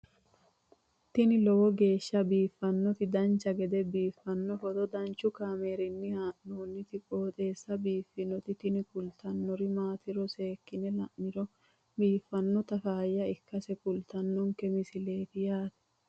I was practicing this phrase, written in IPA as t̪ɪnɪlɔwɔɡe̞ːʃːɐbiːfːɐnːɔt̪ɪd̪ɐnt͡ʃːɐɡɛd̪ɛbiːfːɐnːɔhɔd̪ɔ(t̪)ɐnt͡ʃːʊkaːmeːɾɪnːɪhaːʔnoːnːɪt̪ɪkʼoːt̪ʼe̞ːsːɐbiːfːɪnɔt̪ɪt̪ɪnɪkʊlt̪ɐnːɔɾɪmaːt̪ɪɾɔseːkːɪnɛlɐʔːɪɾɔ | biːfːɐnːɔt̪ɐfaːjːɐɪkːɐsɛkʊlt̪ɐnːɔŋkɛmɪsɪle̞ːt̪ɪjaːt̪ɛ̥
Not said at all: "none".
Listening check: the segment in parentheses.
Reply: d̪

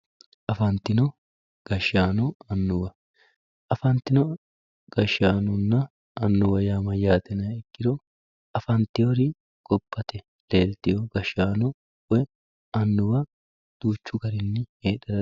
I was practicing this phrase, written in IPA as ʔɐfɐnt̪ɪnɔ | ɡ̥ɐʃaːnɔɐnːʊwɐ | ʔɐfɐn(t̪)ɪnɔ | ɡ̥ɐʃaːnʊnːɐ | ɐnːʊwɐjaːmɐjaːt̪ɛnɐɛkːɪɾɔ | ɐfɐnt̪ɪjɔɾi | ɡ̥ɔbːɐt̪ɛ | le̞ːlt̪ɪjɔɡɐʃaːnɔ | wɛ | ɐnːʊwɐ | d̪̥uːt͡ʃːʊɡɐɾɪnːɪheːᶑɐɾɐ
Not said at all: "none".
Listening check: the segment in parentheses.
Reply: t̪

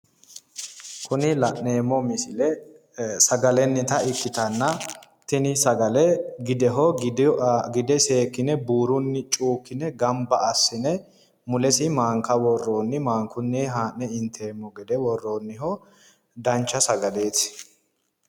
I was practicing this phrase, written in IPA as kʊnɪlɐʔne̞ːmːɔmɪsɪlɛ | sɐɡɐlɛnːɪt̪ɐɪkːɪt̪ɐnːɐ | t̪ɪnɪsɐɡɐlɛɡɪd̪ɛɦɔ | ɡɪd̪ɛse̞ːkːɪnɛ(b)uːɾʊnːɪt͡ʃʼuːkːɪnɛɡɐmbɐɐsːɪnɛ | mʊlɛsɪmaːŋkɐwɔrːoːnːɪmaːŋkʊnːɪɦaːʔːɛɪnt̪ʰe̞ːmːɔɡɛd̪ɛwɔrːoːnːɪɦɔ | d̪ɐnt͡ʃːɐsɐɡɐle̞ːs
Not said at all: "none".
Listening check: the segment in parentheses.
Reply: b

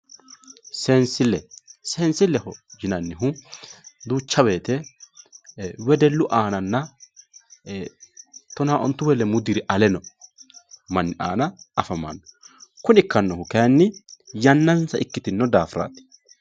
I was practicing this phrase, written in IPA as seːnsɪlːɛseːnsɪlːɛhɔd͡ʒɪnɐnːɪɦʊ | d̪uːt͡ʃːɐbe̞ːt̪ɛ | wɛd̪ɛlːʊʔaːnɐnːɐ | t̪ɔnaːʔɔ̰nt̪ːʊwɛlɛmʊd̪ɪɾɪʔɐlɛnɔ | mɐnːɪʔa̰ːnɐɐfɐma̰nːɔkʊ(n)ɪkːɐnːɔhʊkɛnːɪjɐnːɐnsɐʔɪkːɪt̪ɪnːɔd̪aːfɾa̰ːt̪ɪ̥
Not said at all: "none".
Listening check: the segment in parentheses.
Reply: n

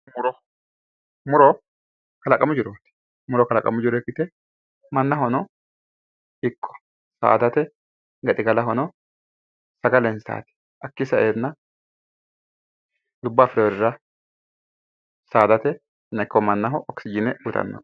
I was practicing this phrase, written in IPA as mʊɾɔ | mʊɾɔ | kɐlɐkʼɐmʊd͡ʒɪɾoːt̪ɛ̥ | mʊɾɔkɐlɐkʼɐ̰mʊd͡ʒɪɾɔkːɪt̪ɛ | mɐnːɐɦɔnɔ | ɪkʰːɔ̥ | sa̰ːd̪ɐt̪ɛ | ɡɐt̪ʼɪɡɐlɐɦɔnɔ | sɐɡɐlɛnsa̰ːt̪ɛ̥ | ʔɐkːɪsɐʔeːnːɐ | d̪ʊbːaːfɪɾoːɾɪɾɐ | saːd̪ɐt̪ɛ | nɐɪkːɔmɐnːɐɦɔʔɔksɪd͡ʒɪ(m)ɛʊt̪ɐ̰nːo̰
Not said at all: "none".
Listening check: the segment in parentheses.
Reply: n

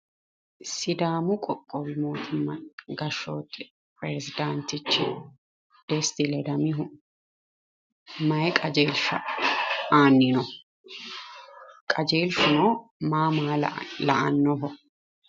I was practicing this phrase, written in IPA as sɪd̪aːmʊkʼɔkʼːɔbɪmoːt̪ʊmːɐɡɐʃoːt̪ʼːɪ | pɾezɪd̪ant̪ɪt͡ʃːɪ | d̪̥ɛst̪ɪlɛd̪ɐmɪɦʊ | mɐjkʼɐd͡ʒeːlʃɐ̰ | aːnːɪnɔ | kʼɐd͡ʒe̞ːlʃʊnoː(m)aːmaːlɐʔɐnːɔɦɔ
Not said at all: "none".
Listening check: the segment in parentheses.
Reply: m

